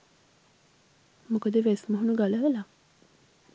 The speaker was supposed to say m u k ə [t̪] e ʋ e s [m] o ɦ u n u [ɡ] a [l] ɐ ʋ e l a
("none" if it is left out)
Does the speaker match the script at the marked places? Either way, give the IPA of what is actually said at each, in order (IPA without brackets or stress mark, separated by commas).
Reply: d̪, m, ɡ, l